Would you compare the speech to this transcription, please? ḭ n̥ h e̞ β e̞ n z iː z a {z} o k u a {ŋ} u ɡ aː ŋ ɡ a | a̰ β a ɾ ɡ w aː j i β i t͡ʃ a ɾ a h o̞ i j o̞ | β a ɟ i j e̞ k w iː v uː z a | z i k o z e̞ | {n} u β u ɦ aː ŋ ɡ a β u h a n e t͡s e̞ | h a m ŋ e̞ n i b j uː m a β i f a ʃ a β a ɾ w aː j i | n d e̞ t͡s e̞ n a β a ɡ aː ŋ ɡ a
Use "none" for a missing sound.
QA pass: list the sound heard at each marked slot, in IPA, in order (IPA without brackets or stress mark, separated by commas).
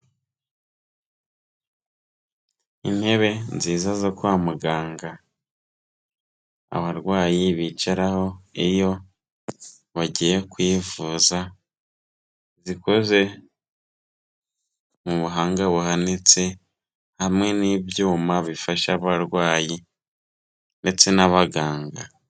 z, m, m